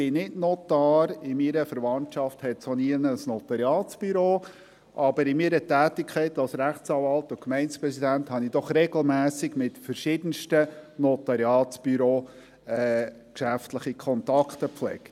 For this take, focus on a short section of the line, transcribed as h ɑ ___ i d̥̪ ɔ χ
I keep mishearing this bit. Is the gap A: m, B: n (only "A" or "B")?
B